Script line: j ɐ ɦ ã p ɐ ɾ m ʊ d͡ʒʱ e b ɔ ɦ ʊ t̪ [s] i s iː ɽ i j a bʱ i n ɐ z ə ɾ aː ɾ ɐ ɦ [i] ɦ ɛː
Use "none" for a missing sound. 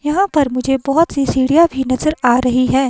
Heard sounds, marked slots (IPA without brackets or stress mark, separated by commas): s, i